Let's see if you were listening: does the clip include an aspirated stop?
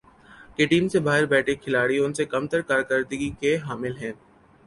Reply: yes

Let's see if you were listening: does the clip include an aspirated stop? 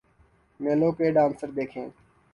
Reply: yes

